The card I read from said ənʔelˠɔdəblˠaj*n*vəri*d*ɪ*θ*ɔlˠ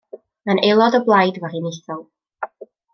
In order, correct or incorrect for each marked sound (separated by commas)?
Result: incorrect, incorrect, correct